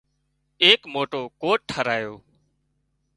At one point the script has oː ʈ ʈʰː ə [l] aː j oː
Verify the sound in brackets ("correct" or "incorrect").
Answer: incorrect